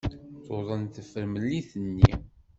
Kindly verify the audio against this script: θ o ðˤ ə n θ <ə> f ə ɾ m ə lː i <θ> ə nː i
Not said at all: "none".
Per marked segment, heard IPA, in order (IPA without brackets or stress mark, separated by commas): ə, θ